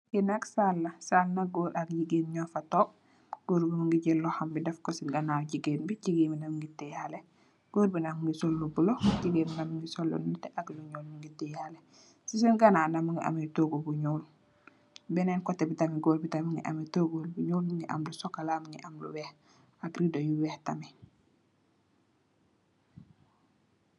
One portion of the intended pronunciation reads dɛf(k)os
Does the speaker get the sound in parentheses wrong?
no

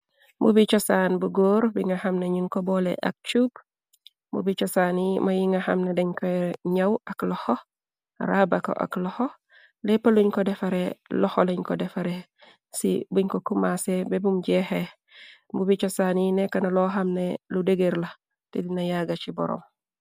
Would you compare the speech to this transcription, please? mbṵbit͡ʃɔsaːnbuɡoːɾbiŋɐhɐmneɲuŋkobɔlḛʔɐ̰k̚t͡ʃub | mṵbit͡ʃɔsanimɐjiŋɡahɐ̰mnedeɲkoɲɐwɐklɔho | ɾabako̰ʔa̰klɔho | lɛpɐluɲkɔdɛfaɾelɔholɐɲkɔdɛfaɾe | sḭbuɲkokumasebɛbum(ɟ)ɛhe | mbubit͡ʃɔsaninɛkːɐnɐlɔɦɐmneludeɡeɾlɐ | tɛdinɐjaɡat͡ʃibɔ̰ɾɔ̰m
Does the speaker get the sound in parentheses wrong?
no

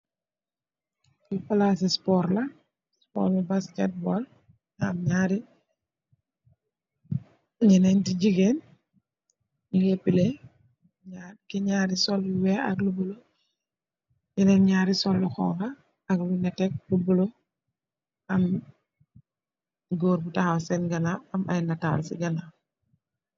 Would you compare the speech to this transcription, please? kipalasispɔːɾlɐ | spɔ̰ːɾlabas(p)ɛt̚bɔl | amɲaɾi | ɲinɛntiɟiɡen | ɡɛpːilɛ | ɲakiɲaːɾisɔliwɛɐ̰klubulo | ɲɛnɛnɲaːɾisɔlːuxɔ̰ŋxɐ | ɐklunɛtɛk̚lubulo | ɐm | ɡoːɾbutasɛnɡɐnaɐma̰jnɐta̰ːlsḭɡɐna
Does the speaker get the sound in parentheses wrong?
yes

